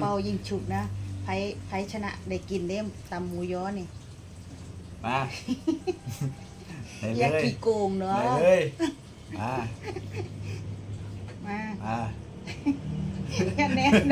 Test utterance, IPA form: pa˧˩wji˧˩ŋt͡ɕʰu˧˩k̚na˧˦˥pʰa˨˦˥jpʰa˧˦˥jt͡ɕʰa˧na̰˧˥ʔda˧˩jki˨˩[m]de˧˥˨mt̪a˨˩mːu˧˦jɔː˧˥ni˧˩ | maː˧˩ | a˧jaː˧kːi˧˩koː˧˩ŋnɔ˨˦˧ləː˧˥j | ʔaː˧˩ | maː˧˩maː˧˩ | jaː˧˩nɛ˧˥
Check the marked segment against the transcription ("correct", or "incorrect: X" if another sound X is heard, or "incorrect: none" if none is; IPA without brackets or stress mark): incorrect: n